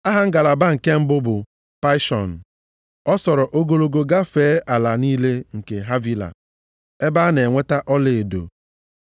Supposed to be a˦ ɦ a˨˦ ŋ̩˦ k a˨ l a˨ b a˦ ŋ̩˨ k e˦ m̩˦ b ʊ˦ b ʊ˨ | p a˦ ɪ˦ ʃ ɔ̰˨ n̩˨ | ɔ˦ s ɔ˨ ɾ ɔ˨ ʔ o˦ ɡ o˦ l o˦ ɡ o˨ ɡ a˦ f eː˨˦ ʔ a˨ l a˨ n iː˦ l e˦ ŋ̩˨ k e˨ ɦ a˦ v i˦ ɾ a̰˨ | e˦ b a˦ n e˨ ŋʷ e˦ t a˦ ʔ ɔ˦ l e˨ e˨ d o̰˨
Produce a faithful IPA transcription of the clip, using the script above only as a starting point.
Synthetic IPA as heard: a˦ ɦ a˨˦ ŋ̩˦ ɡ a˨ l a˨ b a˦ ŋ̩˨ k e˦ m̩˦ b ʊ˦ b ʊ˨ | p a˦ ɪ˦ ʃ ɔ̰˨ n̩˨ | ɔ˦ s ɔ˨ ɾ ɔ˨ ʔ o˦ ɡ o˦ l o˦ ɡ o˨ ɡ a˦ f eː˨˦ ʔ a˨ l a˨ n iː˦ l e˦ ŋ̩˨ k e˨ ɦ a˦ v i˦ l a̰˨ | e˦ b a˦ n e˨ ŋʷ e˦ t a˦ ʔ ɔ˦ l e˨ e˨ d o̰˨